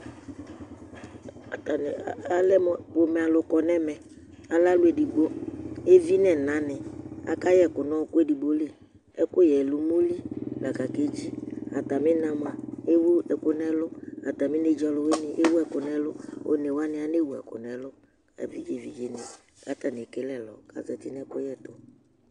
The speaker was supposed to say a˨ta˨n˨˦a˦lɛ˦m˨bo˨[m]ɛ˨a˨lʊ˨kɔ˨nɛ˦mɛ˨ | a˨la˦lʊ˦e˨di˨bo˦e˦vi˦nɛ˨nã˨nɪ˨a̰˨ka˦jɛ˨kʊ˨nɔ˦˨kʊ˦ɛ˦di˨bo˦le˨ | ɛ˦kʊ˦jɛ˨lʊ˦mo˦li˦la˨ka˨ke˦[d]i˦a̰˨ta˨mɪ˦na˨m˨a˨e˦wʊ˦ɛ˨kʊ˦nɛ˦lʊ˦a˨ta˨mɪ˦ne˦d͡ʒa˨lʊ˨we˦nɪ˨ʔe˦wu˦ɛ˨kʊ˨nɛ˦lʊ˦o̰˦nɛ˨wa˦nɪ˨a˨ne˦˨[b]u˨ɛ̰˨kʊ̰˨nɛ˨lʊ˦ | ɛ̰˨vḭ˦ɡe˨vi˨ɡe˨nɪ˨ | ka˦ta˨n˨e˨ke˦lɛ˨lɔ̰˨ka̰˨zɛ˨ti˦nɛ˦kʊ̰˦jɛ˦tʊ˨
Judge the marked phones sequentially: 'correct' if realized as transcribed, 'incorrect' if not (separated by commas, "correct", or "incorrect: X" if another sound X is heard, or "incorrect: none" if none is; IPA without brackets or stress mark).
correct, incorrect: d͡ʒ, incorrect: w